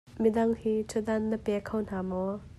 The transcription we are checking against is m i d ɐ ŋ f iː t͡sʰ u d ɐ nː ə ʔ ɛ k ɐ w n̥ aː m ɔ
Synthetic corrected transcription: m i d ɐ ŋ h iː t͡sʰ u d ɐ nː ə p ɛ kʰ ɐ w n̥ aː m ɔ